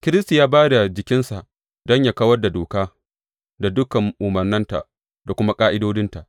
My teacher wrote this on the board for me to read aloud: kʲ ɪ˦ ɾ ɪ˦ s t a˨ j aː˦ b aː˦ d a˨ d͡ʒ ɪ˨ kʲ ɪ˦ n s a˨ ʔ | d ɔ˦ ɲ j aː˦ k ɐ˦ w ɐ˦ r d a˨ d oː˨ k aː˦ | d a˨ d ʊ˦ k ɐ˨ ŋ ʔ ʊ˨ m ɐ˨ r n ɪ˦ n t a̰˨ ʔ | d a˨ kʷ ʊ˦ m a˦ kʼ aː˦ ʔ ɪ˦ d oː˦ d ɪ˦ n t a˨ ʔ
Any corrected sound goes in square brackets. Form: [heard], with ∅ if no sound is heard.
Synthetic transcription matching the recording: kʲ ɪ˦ ɾ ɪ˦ s t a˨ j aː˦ b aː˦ d a˨ d͡ʒ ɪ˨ kʲ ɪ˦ n s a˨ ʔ | d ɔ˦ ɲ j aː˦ k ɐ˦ w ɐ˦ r d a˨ d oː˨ k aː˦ | d a˨ d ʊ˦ k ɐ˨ ŋ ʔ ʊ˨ m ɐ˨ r n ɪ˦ n t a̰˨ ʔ | d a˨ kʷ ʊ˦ m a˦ kʼ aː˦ ʔ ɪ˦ d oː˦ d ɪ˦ n t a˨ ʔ

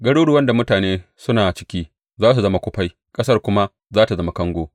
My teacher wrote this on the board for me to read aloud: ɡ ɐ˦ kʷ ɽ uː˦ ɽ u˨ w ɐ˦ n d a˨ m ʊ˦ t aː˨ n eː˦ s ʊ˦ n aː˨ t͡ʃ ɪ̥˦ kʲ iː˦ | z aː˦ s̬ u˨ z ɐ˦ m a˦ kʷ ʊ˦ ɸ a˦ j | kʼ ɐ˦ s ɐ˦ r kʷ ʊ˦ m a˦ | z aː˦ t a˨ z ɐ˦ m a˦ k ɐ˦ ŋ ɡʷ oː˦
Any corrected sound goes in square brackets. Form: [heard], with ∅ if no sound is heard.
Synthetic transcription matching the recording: ɡ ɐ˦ [∅] ɽ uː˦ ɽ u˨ w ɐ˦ n d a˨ m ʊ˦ t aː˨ n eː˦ s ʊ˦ n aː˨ t͡ʃ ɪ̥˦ kʲ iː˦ | z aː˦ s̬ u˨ z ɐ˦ m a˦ kʷ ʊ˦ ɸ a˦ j | kʼ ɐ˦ s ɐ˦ r kʷ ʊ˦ m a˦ | z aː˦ t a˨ z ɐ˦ m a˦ k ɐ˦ ŋ ɡʷ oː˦

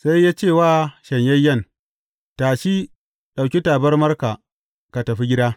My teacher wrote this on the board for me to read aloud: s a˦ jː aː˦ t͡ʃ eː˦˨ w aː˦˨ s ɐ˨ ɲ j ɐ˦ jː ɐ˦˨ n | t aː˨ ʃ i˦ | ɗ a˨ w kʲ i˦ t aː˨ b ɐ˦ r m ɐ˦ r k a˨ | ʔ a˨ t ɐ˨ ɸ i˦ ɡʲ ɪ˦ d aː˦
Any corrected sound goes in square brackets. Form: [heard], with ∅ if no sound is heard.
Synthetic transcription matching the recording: s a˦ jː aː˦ t͡ʃ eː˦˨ w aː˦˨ [ʃ] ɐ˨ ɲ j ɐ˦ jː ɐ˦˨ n | t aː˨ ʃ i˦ | ɗ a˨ w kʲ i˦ t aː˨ b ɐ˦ r m ɐ˦ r k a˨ | [k] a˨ t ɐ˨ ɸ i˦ ɡʲ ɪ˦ d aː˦

